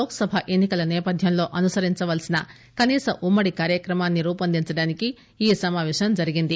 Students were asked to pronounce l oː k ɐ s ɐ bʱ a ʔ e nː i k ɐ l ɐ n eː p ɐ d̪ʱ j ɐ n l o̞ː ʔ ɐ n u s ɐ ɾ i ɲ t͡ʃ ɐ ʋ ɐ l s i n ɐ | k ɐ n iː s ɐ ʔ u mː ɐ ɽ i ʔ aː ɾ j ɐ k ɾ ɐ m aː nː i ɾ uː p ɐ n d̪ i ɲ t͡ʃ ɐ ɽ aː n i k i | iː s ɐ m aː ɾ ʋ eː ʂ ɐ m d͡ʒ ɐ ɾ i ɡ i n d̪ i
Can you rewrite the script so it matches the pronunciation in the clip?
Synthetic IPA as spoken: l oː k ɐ s ɐ bʱ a ʔ e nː i k ɐ l ɐ n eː p ɐ d̪ʱ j ɐ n l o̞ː ʔ ɐ n u s ɐ ɾ i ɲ t͡ʃ ɐ ʋ ɐ l s i n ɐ | k ɐ n iː s ɐ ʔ u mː ɐ ɽ i k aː ɾ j ɐ k ɾ ɐ m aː nː i ɾ uː p ɐ n d̪ i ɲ t͡ʃ ɐ ɽ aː n i k i | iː s ɐ m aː ʋ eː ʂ ɐ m d͡ʒ ɐ ɾ i ɡ i n d̪ i